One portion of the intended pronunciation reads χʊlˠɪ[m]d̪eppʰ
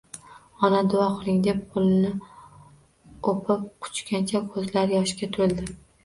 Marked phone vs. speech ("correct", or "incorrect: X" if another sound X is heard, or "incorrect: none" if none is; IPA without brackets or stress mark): incorrect: ŋ